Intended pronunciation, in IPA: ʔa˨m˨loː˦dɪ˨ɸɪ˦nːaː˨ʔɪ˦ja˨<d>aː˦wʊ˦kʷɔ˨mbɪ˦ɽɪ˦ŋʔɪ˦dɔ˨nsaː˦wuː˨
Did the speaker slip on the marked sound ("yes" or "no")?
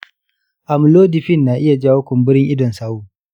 yes